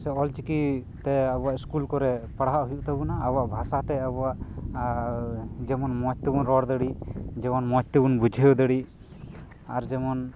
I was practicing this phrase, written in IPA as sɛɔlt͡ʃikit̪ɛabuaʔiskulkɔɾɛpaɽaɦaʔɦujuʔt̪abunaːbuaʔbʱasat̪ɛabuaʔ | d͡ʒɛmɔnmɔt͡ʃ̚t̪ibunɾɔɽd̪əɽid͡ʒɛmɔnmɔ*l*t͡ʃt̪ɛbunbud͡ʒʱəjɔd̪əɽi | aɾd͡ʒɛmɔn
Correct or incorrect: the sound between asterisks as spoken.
incorrect: none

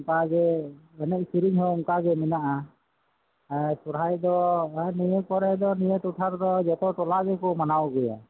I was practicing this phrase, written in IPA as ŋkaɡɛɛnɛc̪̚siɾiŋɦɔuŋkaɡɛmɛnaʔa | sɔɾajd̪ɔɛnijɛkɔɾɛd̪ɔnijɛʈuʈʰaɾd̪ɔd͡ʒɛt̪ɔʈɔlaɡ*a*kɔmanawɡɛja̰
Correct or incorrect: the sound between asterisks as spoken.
incorrect: ɛ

